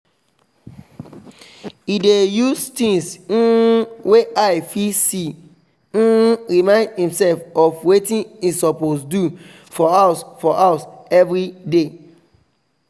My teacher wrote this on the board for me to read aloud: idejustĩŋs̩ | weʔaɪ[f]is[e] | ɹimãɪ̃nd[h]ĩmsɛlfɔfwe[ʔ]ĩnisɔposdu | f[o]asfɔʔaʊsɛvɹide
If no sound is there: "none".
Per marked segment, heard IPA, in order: f, i, h, t, ɔ

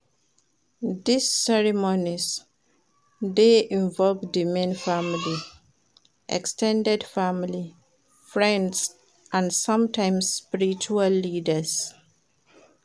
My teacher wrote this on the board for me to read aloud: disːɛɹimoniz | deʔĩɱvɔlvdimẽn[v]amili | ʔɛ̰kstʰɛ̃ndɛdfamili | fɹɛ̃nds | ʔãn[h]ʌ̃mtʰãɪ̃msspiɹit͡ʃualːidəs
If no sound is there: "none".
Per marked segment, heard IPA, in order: f, s

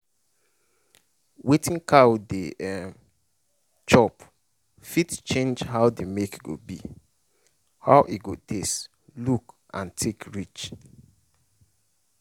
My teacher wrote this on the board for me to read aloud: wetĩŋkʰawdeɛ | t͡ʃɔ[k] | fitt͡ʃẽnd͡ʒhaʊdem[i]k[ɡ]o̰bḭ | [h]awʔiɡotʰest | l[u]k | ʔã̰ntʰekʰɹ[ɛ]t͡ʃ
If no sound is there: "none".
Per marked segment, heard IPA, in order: p, e, ɡ, h, u, i

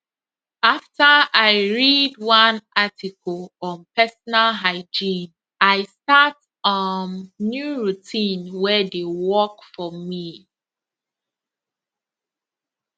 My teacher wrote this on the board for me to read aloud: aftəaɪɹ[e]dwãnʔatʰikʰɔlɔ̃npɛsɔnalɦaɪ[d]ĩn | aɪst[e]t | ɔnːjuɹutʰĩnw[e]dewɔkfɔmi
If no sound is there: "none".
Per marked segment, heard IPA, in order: i, d͡ʒ, a, ɛ

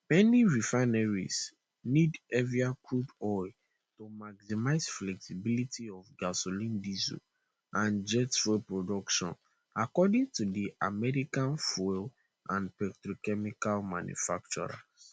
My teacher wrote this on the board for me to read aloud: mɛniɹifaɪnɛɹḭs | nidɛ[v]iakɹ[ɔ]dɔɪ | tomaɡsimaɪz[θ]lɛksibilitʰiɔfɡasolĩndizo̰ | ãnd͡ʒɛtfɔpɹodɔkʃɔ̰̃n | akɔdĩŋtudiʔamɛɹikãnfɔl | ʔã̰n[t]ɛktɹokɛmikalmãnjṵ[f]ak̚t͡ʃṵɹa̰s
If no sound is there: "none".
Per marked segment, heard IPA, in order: v, u, f, p, f

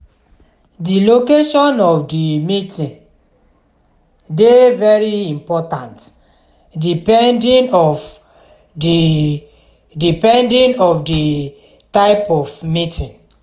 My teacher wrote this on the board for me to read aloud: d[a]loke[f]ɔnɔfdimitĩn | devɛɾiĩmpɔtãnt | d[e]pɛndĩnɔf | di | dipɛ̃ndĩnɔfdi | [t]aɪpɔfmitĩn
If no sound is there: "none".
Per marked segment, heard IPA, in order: i, ʃ, i, t

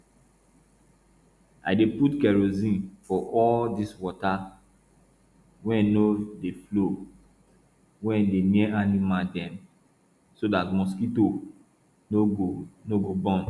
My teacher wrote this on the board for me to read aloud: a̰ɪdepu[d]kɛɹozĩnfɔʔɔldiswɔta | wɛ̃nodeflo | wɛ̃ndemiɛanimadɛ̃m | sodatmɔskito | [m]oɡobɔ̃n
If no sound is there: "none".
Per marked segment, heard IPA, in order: t, n

